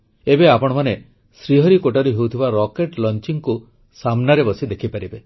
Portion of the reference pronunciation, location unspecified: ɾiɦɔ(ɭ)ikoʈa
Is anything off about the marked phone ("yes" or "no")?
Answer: yes